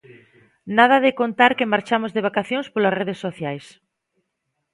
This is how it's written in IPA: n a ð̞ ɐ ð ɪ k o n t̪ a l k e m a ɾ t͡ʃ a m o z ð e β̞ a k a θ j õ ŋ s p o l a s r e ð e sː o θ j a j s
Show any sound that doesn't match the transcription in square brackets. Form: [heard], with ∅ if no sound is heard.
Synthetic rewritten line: n a ð̞ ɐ ð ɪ k o n t̪ a [ɾ] k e m a ɾ t͡ʃ a m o z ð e β̞ a k a θ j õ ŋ s p o l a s r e ð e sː o θ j a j s